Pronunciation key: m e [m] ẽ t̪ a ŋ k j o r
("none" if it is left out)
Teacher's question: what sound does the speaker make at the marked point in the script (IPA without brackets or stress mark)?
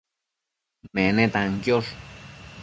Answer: n